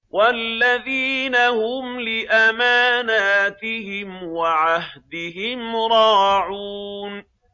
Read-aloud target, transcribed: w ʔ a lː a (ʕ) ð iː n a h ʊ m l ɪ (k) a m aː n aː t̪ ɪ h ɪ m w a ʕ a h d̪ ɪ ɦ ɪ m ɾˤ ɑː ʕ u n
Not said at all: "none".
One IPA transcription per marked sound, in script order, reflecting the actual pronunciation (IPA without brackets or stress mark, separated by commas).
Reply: none, ʔ